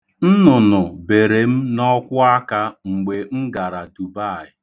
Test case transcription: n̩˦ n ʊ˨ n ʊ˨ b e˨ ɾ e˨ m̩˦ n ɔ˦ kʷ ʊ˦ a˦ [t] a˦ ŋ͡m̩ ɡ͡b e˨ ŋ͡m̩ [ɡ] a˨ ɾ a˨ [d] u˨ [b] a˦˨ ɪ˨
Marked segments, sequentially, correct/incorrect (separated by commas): incorrect, correct, correct, correct